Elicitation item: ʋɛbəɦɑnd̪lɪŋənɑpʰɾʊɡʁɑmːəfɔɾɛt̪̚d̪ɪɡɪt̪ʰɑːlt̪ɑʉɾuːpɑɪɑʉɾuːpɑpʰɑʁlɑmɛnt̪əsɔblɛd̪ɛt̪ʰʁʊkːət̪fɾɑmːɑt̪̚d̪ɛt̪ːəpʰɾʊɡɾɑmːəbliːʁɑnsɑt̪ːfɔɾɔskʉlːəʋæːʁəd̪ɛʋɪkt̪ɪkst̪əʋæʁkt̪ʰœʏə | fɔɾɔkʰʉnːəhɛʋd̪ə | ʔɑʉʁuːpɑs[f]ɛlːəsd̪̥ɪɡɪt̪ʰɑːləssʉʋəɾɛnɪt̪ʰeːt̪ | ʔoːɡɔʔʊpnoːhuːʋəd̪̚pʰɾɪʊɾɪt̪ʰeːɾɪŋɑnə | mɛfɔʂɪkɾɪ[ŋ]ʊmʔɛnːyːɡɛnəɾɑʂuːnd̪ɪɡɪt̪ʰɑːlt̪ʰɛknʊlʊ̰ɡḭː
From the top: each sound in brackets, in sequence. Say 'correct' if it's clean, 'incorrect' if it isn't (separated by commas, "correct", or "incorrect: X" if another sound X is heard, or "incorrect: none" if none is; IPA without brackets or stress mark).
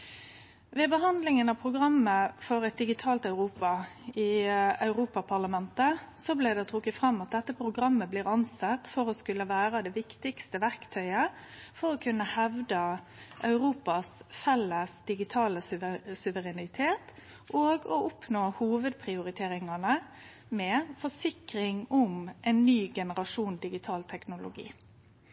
correct, correct